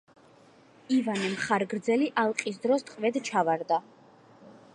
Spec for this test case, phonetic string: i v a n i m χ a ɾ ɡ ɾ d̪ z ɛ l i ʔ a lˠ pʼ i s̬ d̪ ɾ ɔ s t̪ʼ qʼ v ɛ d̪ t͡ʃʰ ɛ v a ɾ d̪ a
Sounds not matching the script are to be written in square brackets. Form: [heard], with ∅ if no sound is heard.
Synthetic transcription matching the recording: i v a n [ɛ] m χ a ɾ ɡ ɾ d̪ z ɛ l i ʔ a lˠ [qʼ] i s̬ d̪ ɾ ɔ s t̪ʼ qʼ v ɛ d̪ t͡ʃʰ [a] v a ɾ d̪ a